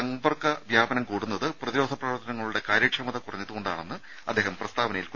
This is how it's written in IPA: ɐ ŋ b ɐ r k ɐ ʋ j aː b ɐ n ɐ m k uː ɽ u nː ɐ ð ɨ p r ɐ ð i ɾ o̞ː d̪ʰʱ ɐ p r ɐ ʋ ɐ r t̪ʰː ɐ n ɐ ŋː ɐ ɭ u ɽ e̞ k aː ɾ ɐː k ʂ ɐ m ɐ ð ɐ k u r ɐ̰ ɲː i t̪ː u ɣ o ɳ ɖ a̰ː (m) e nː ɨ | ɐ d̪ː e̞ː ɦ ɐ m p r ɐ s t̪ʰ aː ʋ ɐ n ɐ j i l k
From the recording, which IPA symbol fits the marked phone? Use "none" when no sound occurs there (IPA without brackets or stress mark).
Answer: ɳ